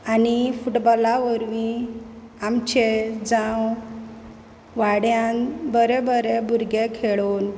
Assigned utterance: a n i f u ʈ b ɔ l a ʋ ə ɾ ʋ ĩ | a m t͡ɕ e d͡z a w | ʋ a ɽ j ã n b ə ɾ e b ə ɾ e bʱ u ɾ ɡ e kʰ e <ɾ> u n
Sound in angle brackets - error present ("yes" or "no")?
yes